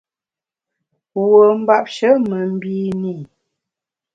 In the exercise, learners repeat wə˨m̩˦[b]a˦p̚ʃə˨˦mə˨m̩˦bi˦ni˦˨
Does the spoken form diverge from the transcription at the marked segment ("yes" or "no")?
no